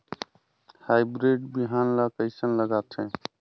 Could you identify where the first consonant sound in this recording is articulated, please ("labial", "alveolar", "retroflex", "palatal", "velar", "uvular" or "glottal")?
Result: glottal